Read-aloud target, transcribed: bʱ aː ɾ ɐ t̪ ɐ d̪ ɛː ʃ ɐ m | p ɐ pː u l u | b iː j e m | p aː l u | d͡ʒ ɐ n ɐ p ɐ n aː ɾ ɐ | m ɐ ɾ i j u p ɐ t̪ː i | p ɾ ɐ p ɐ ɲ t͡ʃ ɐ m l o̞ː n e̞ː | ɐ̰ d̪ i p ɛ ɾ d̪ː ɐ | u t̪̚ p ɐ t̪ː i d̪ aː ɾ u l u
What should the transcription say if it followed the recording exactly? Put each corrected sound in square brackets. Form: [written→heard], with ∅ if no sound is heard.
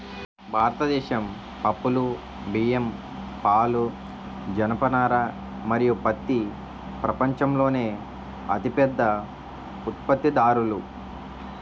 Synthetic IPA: bʱ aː ɾ ɐ t̪ ɐ d̪ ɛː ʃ ɐ m | p ɐ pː u l u | b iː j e m | p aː l u | d͡ʒ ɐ n ɐ p ɐ n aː ɾ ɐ | m ɐ ɾ i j u p ɐ t̪ː i | p ɾ ɐ p ɐ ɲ t͡ʃ ɐ m l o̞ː n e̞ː | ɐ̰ [d̪→t̪] i p ɛ [ɾ→∅] d̪ː ɐ | u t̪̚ p ɐ t̪ː i d̪ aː ɾ u l u